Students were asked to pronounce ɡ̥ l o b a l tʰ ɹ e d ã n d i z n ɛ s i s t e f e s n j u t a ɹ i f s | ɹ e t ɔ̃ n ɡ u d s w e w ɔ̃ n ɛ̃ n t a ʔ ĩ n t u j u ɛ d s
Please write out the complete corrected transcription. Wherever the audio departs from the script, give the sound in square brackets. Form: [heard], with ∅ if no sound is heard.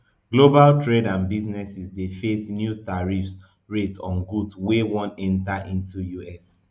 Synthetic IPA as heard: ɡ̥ l o b a l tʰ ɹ e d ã n [b] i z n ɛ s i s [d] e f e s n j u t a ɹ i f s | ɹ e t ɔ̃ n ɡ u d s w e w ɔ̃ n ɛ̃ n t a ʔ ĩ n t u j u ɛ [∅] s